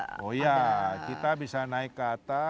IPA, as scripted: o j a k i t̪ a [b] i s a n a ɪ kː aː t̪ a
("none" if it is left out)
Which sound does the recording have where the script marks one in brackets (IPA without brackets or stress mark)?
b